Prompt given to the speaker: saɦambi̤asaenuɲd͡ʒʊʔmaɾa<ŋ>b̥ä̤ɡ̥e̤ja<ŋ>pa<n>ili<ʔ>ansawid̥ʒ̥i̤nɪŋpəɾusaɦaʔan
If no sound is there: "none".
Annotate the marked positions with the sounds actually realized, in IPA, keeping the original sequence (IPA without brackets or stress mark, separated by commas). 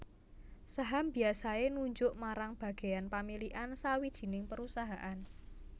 ŋ, n, m, ʔ